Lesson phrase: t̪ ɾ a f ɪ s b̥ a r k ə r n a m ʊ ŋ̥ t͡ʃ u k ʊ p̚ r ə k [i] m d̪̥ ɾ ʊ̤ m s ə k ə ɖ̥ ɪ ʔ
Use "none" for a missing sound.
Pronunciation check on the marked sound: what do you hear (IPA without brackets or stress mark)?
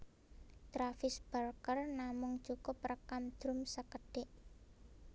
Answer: a